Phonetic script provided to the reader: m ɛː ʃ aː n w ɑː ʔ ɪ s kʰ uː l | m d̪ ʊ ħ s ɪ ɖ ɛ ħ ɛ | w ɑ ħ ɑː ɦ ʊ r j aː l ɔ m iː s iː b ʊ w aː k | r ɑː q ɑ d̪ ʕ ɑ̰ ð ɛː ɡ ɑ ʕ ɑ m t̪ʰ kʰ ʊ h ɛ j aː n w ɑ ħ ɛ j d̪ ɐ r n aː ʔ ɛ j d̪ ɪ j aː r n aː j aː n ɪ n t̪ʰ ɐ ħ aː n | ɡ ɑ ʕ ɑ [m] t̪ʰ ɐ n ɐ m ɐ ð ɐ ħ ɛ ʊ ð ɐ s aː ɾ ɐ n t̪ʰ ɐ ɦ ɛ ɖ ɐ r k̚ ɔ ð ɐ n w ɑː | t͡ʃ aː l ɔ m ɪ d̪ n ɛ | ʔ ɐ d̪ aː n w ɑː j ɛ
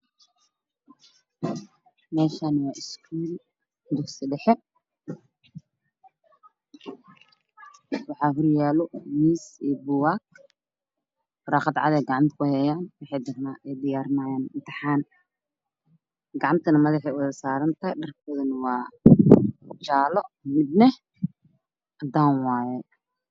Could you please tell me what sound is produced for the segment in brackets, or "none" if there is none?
m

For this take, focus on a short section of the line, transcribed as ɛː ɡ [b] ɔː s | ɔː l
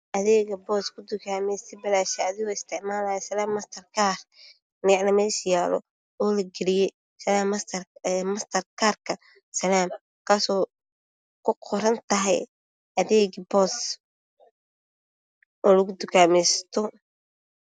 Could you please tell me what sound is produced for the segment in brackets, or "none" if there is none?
b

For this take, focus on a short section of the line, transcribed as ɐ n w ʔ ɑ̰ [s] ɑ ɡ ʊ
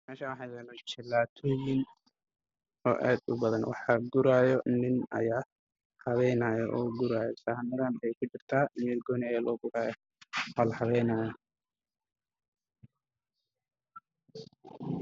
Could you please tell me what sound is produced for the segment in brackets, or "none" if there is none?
ħ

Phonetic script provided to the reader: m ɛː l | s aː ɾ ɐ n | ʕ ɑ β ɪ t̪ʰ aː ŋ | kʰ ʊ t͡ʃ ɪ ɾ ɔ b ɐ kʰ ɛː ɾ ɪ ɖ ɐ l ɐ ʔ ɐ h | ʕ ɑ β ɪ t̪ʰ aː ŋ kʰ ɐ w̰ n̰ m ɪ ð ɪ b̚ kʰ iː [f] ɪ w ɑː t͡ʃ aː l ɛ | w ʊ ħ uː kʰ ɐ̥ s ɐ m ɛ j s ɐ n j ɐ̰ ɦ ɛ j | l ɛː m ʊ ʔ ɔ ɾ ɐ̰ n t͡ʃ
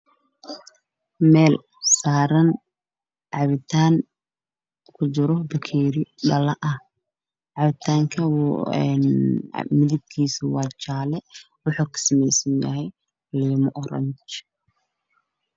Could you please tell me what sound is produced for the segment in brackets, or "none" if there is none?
s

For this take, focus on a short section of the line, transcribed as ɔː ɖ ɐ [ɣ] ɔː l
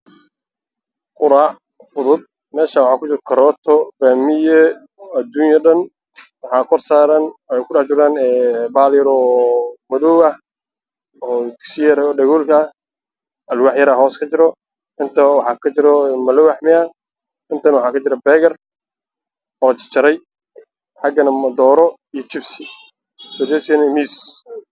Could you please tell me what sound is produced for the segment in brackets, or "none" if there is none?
ɣ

